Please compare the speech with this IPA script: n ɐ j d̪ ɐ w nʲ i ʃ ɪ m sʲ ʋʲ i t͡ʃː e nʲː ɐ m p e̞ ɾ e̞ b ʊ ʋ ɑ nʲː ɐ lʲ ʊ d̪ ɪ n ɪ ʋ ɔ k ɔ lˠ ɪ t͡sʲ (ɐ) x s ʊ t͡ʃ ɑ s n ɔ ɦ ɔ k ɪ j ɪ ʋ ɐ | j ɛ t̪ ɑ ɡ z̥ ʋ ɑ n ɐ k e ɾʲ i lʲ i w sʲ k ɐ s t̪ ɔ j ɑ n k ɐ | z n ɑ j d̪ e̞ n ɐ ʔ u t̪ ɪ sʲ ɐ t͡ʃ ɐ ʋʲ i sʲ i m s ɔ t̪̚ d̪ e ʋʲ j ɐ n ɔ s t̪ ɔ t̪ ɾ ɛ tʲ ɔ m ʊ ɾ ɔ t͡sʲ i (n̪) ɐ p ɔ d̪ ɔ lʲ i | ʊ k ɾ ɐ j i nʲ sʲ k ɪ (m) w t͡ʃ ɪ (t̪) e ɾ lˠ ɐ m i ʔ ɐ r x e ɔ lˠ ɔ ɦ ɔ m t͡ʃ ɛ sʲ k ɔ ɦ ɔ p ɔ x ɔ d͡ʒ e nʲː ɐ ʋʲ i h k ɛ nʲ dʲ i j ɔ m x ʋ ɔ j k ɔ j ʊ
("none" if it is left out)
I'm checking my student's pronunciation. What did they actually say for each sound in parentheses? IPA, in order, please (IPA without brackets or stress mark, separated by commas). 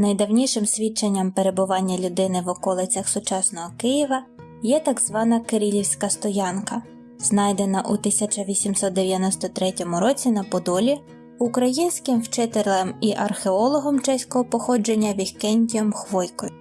ɐ, n̪, m, t̪